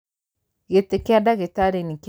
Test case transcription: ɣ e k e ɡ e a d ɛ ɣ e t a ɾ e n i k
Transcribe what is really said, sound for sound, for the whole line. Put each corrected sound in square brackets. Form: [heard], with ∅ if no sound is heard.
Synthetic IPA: ɣ e [t] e [k] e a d [a] ɣ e t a ɾ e n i k